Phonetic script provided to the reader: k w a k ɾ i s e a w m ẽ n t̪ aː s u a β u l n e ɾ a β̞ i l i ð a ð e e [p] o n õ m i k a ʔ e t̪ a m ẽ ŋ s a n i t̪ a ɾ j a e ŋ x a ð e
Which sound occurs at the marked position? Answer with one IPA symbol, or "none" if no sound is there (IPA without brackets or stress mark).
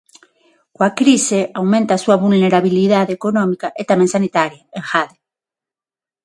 k